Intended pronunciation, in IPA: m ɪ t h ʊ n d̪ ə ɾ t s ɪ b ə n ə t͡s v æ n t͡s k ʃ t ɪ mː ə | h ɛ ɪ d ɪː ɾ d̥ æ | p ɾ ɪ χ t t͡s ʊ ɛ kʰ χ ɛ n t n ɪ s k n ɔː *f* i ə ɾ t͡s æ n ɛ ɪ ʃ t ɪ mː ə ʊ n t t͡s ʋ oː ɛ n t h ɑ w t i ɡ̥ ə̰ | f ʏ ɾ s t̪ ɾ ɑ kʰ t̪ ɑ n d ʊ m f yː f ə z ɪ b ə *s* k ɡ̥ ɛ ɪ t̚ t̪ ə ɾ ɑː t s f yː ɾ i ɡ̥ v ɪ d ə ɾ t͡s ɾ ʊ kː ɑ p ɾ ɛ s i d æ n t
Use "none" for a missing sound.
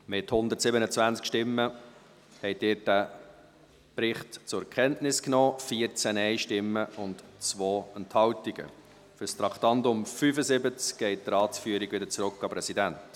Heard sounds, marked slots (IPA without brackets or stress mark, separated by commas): f, t͡s